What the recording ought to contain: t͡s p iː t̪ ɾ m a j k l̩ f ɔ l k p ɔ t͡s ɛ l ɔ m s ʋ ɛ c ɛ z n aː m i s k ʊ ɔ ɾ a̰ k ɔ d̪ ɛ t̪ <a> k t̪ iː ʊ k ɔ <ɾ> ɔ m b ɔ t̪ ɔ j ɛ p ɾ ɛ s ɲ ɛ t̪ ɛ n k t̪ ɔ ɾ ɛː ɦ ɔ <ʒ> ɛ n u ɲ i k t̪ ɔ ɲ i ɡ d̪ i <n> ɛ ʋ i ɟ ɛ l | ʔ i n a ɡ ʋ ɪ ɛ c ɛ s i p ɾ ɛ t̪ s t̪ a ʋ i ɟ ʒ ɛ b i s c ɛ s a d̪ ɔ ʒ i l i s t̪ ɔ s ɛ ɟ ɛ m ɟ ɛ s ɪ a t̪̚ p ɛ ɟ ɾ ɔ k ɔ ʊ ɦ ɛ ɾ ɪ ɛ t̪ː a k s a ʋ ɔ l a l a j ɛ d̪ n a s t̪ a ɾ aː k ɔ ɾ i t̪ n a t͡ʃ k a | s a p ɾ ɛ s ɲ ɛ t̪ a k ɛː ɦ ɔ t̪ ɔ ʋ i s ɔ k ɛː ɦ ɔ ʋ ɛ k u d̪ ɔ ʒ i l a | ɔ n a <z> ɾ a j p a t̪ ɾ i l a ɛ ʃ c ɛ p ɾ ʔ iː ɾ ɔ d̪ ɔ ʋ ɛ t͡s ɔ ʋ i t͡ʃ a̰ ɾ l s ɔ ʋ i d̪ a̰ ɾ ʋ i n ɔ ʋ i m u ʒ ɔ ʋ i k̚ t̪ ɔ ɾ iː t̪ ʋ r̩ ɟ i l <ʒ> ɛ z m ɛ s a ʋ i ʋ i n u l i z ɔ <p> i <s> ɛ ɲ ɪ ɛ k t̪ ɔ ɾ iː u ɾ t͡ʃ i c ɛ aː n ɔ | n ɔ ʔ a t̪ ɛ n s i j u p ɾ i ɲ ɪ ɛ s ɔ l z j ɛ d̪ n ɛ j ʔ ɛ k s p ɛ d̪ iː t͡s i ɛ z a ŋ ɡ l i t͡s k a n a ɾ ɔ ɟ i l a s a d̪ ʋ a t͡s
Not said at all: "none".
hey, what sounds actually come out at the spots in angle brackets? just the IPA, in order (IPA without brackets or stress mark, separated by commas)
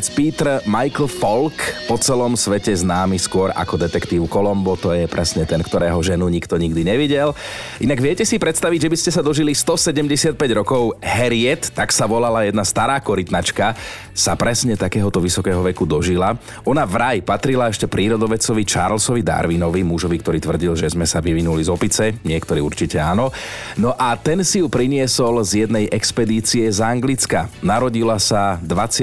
ɛ, l, ʒ, ɲ, v, ʒ, p, t͡s